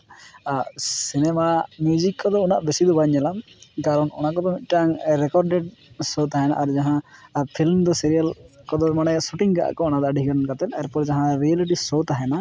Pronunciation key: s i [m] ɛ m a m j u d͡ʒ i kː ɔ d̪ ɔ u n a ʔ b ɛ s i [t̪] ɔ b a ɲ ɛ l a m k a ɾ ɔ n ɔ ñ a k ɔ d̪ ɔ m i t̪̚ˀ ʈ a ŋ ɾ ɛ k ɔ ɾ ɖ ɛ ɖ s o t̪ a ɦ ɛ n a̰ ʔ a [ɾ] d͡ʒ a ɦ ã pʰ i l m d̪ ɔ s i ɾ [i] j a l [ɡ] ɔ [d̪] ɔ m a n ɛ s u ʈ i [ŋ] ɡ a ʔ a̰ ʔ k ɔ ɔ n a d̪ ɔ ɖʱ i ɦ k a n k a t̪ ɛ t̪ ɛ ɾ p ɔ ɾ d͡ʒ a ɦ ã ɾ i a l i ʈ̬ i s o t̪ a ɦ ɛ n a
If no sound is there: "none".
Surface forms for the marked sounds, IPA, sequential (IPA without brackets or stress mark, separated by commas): n, d̪, ɾ, i, k, d̪, ŋ